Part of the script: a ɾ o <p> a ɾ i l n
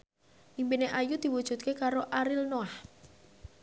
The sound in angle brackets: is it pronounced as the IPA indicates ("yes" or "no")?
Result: no